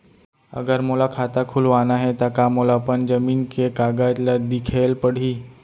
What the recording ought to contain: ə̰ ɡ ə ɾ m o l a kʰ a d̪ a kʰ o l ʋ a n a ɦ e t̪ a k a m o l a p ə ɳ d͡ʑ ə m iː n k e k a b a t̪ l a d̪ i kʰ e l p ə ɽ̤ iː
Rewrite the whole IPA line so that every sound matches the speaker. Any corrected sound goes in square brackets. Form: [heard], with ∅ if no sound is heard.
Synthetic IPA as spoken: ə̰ ɡ ə ɾ m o l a kʰ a [t̪] a kʰ [u] l ʋ a n a ɦ e t̪ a k a m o l a p ə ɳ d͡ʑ ə m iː n k e k a [ɡ] a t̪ l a d̪ i kʰ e l p ə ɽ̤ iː